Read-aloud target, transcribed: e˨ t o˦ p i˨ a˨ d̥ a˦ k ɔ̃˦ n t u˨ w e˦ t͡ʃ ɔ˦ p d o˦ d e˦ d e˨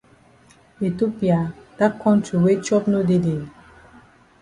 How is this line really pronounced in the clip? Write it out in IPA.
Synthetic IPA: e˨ t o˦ p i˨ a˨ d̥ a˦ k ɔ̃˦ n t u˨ w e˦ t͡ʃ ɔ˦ p n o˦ d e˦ d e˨